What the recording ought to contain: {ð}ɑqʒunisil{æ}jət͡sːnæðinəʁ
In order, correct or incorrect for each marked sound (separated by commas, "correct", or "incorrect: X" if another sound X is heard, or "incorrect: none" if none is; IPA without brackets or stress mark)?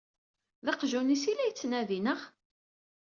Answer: correct, correct